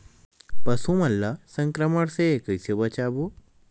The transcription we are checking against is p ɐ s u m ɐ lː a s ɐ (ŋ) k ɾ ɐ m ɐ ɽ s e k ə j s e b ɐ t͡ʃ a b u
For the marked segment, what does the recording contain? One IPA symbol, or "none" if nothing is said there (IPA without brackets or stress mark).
ŋ